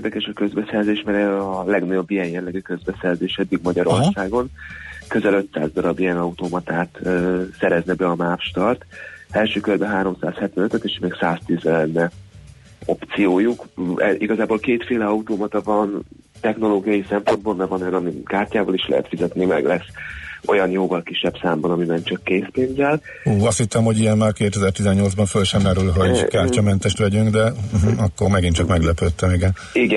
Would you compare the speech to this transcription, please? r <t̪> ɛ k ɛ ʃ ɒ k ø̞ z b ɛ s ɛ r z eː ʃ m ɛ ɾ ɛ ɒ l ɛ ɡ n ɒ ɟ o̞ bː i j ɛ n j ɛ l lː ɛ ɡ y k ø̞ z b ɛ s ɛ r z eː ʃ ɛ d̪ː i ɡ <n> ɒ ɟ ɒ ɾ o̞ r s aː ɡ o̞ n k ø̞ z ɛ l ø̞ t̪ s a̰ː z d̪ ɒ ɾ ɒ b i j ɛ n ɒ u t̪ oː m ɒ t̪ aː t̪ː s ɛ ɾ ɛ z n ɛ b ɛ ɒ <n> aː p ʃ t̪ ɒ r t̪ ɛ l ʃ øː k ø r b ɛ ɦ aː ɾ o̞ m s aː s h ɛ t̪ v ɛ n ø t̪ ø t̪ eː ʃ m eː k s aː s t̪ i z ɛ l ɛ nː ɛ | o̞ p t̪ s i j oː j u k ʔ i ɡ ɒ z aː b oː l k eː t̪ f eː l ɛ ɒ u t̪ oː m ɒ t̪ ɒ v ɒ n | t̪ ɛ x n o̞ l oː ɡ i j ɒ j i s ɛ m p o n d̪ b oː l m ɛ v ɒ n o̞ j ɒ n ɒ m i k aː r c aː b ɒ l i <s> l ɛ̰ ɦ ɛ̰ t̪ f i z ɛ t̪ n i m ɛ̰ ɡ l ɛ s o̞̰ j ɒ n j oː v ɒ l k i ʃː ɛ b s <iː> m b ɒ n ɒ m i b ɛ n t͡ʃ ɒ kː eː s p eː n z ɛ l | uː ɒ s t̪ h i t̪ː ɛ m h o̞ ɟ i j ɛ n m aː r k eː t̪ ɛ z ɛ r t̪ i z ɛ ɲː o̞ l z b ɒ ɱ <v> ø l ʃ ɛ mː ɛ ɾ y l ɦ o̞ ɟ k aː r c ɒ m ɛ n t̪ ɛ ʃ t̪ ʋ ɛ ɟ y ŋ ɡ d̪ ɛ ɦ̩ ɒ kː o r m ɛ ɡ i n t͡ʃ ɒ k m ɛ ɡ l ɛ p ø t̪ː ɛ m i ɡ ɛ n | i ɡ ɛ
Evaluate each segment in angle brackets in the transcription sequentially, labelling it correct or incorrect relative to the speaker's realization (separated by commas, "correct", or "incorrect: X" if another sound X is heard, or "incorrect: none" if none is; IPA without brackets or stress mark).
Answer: incorrect: d̪, incorrect: m, incorrect: m, incorrect: ʃ, incorrect: aː, incorrect: f